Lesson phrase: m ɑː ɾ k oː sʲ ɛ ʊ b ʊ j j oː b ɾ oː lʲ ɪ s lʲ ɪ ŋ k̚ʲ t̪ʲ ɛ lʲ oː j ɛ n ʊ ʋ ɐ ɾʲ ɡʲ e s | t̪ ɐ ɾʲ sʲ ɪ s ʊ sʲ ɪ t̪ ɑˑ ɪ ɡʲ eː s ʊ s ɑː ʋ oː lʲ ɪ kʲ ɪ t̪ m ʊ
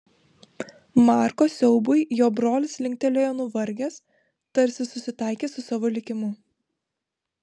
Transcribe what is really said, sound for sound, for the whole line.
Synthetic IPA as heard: m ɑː ɾ k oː sʲ ɛ ʊ b ʊ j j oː b ɾ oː lʲ ɪ s lʲ ɪ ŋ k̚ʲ t̪ʲ ɛ lʲ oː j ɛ n ʊ ʋ ɐ ɾʲ ɡʲ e s | t̪ ɐ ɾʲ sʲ ɪ s ʊ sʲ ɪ t̪ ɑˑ ɪ kʲ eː s ʊ s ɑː ʋ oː lʲ ɪ kʲ ɪ m ʊ

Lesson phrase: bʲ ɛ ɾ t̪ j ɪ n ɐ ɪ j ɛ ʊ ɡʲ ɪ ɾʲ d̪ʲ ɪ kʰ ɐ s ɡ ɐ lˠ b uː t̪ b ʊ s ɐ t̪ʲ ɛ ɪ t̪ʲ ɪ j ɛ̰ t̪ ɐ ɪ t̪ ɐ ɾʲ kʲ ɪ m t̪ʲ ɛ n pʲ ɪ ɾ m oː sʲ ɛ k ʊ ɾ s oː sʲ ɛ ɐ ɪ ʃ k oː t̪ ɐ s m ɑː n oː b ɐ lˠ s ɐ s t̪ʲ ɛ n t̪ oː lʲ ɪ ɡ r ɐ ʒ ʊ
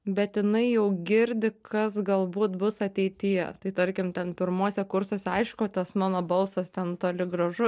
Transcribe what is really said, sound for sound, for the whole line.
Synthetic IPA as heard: bʲ ɛ t̪ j ɪ n ɐ ɪ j ɛ ʊ ɡʲ ɪ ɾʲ d̪ʲ ɪ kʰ ɐ s ɡ ɐ lˠ b uː t̪ b ʊ s ɐ t̪ʲ ɛ ɪ t̪ʲ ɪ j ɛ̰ t̪ ɐ ɪ t̪ ɐ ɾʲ kʲ ɪ m t̪ʲ ɛ n pʲ ɪ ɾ m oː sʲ ɛ k ʊ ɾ s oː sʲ ɛ ɐ ɪ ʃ k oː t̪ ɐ s m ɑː n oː b ɐ lˠ s ɐ s t̪ʲ ɛ n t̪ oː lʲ ɪ ɡ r ɐ ʒ ʊ

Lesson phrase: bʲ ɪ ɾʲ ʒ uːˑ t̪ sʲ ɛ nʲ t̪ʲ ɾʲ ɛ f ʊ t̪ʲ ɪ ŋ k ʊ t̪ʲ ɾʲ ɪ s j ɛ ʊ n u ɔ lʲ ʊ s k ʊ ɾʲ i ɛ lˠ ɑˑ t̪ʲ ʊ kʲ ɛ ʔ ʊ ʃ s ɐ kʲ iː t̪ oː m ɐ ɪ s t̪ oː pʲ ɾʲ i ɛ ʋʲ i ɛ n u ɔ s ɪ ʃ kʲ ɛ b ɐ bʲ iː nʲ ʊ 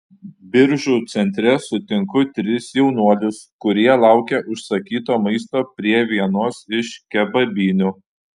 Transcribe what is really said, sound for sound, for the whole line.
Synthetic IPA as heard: bʲ ɪ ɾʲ ʒ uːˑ t̪ sʲ ɛ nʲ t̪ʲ ɾʲ ɛ s ʊ t̪ʲ ɪ ŋ k ʊ t̪ʲ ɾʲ ɪ s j ɛ ʊ n u ɔ lʲ ʊ s k ʊ ɾʲ i ɛ lˠ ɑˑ ʊ kʲ ɛ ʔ ʊ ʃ s ɐ kʲ iː t̪ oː m ɐ ɪ s t̪ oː pʲ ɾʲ i ɛ ʋʲ i ɛ n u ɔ s ɪ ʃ kʲ ɛ b ɐ bʲ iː nʲ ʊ

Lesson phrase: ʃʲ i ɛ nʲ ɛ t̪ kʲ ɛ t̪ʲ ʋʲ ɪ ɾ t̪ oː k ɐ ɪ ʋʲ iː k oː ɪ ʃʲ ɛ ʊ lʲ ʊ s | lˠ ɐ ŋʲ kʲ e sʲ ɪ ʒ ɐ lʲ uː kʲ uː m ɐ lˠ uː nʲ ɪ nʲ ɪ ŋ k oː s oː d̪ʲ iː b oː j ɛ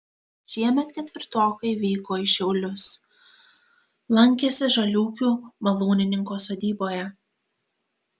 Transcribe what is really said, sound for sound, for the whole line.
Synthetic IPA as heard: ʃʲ i ɛ mʲ ɛ t̪ kʲ ɛ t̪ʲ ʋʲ ɪ ɾ t̪ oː k ɐ ɪ ʋʲ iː k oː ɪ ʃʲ ɛ ʊ lʲ ʊ s | lˠ ɐ ŋʲ kʲ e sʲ ɪ ʒ ɐ lʲ uː kʲ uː m ɐ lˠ uː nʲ ɪ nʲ ɪ ŋ k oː s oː d̪ʲ iː b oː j ɛ

